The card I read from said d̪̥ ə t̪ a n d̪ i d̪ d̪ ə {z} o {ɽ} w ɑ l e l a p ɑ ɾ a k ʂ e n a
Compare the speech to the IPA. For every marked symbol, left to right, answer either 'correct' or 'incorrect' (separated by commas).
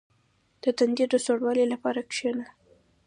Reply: incorrect, correct